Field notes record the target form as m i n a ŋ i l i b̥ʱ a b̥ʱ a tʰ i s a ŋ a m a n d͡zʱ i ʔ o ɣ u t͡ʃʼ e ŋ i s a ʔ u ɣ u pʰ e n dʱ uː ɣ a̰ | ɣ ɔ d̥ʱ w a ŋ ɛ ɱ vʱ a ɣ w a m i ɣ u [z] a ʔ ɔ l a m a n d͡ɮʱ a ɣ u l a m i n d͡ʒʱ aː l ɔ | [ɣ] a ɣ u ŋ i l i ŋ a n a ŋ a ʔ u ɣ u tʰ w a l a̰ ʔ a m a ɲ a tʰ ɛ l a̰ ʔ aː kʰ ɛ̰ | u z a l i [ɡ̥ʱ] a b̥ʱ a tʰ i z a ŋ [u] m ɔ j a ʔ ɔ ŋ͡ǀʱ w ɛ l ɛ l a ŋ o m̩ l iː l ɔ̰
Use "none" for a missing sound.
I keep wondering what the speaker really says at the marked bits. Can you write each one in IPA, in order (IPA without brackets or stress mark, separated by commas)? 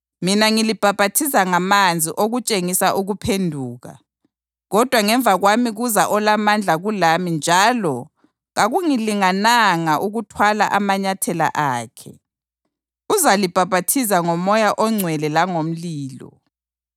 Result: z, ɣ, b̥ʱ, ɔ